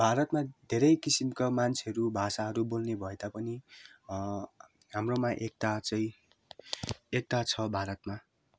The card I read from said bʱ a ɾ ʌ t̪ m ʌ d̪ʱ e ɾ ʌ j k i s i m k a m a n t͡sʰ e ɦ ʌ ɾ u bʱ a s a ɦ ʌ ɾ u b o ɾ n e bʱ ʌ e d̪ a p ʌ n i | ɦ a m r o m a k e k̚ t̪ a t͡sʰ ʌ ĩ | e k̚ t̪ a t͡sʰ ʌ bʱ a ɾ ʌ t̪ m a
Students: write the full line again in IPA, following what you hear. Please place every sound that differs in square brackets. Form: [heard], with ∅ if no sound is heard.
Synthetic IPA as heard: bʱ a ɾ ʌ t̪ m [a] d̪ʱ e ɾ ʌ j k i s i m k a m a n t͡sʰ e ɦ ʌ ɾ u bʱ a s a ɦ ʌ ɾ u b o [l] n e bʱ ʌ e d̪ a p ʌ n i | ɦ a m r o m a [ʔ] e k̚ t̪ a [t͡s] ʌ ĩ | e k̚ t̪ a t͡sʰ ʌ bʱ a ɾ ʌ t̪ m a

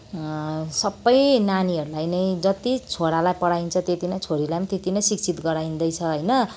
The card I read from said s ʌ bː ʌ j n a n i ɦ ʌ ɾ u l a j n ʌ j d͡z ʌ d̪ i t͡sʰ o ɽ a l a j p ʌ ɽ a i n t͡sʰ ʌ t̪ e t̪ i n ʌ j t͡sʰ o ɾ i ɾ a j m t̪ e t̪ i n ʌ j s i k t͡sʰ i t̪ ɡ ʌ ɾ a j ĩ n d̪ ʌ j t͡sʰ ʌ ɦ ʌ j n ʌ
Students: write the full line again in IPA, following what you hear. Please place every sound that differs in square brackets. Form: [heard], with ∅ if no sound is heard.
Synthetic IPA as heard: s ʌ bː ʌ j n a n i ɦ ʌ ɾ u l a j n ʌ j d͡z ʌ [t̪] i t͡sʰ o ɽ a l a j p ʌ ɽ a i n t͡sʰ ʌ t̪ e t̪ i n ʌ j t͡sʰ o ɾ i [l] a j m t̪ e t̪ i n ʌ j s i k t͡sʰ i t̪ ɡ ʌ ɾ a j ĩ n d̪ ʌ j t͡sʰ ʌ ɦ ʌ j n ʌ

